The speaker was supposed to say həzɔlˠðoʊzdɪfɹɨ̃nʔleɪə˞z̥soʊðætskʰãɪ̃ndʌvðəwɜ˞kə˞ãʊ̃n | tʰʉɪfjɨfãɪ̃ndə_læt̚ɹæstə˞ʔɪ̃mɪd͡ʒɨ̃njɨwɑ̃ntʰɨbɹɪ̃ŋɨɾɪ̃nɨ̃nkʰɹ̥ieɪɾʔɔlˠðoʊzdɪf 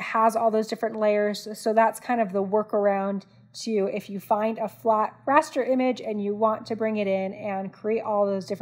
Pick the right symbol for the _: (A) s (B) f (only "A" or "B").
B